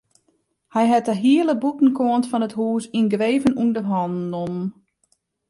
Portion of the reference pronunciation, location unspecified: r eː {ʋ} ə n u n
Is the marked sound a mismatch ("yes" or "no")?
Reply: yes